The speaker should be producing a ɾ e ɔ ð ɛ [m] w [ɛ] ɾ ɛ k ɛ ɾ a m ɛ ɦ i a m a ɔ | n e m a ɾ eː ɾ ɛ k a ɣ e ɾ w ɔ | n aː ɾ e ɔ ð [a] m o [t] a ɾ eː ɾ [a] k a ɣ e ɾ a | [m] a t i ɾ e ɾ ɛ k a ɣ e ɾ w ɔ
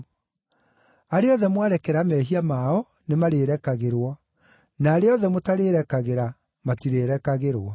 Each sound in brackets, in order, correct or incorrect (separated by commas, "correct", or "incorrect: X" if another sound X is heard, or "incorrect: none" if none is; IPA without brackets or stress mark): correct, incorrect: a, incorrect: ɛ, correct, incorrect: ɛ, correct